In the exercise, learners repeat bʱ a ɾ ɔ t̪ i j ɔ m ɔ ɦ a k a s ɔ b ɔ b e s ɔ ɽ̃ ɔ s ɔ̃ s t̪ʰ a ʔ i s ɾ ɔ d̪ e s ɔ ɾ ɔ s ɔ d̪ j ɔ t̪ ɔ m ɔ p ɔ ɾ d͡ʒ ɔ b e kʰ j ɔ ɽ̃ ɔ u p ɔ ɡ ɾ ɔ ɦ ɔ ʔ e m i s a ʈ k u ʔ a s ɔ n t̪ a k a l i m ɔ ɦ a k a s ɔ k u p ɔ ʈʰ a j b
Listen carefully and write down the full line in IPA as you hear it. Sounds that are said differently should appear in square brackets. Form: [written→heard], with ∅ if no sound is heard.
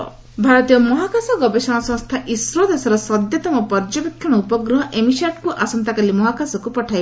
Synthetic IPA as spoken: bʱ a ɾ ɔ t̪ i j ɔ m ɔ ɦ a k a s ɔ [b→ɡ] ɔ b e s ɔ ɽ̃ ɔ s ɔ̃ s t̪ʰ a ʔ i s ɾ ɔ d̪ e s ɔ ɾ ɔ s ɔ d̪ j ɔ t̪ ɔ m ɔ p ɔ ɾ d͡ʒ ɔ b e kʰ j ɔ ɽ̃ ɔ u p ɔ ɡ ɾ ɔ ɦ ɔ ʔ e m i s a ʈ k u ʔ a s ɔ n t̪ a k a l i m ɔ ɦ a k a s ɔ k u p ɔ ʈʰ a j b

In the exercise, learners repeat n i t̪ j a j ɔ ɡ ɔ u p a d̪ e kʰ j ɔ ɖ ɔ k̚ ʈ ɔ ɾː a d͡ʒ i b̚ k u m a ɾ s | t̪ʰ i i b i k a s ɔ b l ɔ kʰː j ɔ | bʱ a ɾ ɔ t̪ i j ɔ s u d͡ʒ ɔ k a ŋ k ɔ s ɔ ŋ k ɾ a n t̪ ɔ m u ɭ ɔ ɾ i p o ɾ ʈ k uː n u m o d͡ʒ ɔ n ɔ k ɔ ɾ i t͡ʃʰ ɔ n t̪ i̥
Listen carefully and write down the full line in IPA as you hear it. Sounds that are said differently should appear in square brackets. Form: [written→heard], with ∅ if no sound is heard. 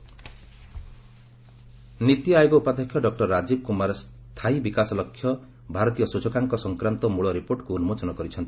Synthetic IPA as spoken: n i t̪ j a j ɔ ɡ ɔ u p a d̪ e kʰ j ɔ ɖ ɔ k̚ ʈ ɔ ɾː a d͡ʒ i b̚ k u m a ɾ s | t̪ʰ [i→a] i b i k a s ɔ [b→∅] l ɔ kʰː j ɔ | bʱ a ɾ ɔ t̪ i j ɔ s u d͡ʒ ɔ k a ŋ k ɔ s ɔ ŋ k ɾ a n t̪ ɔ m u ɭ ɔ ɾ i p o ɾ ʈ k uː n u m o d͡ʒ ɔ n ɔ k ɔ ɾ i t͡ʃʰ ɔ n t̪ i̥

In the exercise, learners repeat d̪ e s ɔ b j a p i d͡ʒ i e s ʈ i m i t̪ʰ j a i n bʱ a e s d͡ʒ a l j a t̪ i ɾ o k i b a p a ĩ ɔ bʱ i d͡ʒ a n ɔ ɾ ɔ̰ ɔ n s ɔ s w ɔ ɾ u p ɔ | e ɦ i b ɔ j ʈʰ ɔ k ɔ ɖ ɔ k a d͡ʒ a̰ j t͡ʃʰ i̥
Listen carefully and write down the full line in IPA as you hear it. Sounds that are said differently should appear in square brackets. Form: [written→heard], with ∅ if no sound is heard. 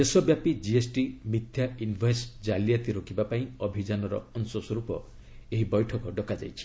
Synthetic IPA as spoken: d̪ e s ɔ b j a p i d͡ʒ i e s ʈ i m i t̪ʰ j a i n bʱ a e s d͡ʒ a l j a t̪ i ɾ o k i b a p a ĩ ɔ bʱ i d͡ʒ a n ɔ ɾ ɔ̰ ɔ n s ɔ s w ɔ ɾ u p ɔ | e ɦ i b ɔ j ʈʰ ɔ k ɔ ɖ ɔ k a d͡ʒ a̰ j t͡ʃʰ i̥

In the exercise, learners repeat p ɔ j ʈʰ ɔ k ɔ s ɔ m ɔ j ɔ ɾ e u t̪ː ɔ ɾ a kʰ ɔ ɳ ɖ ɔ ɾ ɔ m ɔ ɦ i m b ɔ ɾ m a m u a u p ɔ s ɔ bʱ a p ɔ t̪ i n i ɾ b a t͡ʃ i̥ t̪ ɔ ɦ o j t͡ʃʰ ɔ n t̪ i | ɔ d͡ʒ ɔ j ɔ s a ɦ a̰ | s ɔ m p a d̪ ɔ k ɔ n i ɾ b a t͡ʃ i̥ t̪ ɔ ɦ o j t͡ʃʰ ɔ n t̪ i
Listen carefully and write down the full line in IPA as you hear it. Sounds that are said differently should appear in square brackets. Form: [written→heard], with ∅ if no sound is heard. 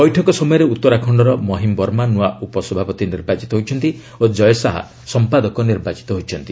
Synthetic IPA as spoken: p ɔ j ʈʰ ɔ k ɔ s ɔ m ɔ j ɔ ɾ e u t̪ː ɔ ɾ a kʰ ɔ ɳ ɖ ɔ ɾ ɔ m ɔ ɦ i m b ɔ ɾ m a [m→n] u a u p ɔ s ɔ bʱ a p ɔ t̪ i n i ɾ b a t͡ʃ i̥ t̪ ɔ ɦ o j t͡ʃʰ ɔ n t̪ i | [ɔ→o] d͡ʒ ɔ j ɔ s a ɦ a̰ | s ɔ m p a d̪ ɔ k ɔ n i ɾ b a t͡ʃ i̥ t̪ ɔ ɦ o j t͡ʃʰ ɔ n t̪ i

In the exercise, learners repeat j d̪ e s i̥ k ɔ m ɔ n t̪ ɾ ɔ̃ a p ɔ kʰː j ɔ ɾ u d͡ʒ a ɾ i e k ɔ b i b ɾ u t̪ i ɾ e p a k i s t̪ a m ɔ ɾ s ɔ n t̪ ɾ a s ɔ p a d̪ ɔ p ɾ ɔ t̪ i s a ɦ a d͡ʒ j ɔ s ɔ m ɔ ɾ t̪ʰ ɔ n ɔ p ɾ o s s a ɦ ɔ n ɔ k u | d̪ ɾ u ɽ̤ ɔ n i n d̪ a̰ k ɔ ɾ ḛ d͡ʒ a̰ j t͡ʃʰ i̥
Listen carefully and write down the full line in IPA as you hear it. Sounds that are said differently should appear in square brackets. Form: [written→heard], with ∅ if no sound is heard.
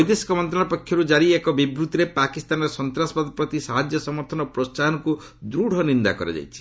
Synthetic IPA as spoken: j d̪ e s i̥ k ɔ m ɔ n t̪ ɾ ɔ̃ a p ɔ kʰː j ɔ ɾ u d͡ʒ a ɾ i e k ɔ b i b ɾ u t̪ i ɾ e p a k i s t̪ a [m→n] ɔ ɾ s ɔ n t̪ ɾ a s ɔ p a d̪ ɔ p ɾ ɔ t̪ i s a ɦ a d͡ʒ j ɔ s ɔ m ɔ ɾ t̪ʰ ɔ n ɔ p ɾ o s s a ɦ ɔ n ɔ k u | d̪ ɾ u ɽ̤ ɔ n i n d̪ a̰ k ɔ ɾ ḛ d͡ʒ a̰ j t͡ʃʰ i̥

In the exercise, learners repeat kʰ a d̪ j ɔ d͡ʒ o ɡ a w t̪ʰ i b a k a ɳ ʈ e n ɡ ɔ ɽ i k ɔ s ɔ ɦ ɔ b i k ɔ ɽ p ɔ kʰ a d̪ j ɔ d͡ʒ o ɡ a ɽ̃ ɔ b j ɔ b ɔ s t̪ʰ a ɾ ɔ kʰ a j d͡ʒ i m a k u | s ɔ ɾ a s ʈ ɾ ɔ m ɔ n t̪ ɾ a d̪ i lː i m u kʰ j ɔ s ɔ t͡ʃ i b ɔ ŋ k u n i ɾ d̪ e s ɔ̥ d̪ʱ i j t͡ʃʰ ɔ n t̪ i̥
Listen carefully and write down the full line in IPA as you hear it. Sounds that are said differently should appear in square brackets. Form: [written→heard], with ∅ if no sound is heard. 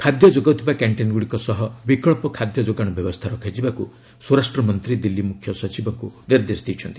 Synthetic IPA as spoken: kʰ a d̪ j ɔ d͡ʒ o ɡ a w t̪ʰ i b a k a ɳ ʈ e n ɡ [ɔ→u] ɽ i k ɔ s ɔ ɦ ɔ b i k ɔ [ɽ→ɭ] p ɔ kʰ a d̪ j ɔ d͡ʒ o ɡ a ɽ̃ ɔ b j ɔ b ɔ s t̪ʰ a ɾ ɔ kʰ a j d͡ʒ i [m→b] a k u | s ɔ ɾ a s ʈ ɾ ɔ m ɔ n t̪ ɾ [a→i] d̪ i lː i m u kʰ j ɔ s ɔ t͡ʃ i b ɔ ŋ k u n i ɾ d̪ e s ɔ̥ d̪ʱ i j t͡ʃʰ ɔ n t̪ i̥

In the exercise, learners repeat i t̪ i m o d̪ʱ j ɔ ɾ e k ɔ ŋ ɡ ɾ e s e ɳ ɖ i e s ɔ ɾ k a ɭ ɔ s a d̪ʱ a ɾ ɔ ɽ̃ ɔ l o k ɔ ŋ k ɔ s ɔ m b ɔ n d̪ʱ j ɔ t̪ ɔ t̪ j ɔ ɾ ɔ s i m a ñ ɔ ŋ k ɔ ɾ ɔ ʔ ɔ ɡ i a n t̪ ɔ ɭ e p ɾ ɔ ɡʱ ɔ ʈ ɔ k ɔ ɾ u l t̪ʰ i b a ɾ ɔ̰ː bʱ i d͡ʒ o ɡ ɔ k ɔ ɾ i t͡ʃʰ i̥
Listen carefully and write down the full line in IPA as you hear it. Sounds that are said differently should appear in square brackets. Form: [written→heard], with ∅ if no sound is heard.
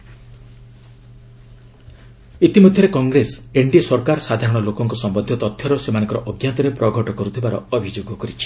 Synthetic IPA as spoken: i t̪ i m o d̪ʱ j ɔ ɾ e k ɔ ŋ ɡ ɾ e s e ɳ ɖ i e s ɔ ɾ k a [ɭ→ɾ] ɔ s a d̪ʱ a ɾ ɔ ɽ̃ ɔ l o k ɔ ŋ k ɔ s ɔ m b ɔ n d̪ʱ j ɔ t̪ ɔ [t̪→t̪ʰ] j ɔ ɾ ɔ s [i→e] m a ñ ɔ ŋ k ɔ ɾ ɔ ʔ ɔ ɡ [i→j] a n t̪ ɔ [ɭ→ɾ] e p ɾ ɔ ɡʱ ɔ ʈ ɔ k ɔ ɾ u [l→∅] t̪ʰ i b a ɾ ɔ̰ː bʱ i d͡ʒ o ɡ ɔ k ɔ ɾ i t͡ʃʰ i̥

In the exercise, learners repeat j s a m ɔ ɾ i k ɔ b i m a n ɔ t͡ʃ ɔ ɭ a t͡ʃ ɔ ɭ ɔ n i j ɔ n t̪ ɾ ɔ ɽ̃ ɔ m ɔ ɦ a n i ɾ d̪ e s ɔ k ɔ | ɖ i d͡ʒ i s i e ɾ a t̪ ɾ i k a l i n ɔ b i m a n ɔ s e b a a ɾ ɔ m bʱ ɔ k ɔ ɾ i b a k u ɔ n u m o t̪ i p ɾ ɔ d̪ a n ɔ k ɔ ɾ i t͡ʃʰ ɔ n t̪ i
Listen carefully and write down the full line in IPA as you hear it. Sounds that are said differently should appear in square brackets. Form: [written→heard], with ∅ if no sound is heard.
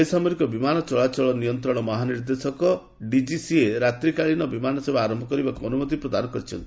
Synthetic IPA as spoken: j s a m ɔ ɾ i k ɔ b i m a n ɔ t͡ʃ ɔ ɭ a t͡ʃ ɔ ɭ ɔ n i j ɔ n t̪ ɾ ɔ ɽ̃ ɔ m ɔ ɦ a n i ɾ d̪ e s ɔ k ɔ | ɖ i d͡ʒ i s i e ɾ a t̪ ɾ i k a [l→ɭ] i n ɔ b i m a n ɔ s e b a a ɾ ɔ m bʱ ɔ k ɔ ɾ i b a k u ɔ n u m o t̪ i p ɾ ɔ d̪ a n ɔ k ɔ ɾ i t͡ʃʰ ɔ n t̪ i

